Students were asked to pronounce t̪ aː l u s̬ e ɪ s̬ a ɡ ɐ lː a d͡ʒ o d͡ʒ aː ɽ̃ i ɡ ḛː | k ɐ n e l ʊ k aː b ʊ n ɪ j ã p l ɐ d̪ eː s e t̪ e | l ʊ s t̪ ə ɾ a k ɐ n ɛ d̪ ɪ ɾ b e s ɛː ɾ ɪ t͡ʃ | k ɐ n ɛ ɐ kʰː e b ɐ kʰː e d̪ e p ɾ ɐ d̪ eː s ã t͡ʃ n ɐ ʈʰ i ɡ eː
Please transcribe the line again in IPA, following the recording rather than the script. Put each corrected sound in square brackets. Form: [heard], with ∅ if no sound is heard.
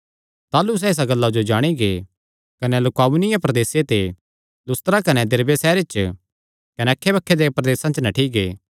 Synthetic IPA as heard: t̪ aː l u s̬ [ɛ] ɪ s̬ a ɡ ɐ lː a d͡ʒ o d͡ʒ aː ɽ̃ i ɡ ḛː | k ɐ n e l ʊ k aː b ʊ n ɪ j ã p [ɾ] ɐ d̪ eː s e t̪ e | l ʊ s t̪ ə ɾ a k ɐ n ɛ d̪ ɪ ɾ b e s ɛː ɾ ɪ t͡ʃ | k ɐ n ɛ ɐ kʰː e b ɐ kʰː e d̪ e p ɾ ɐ d̪ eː s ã t͡ʃ n ɐ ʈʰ i ɡ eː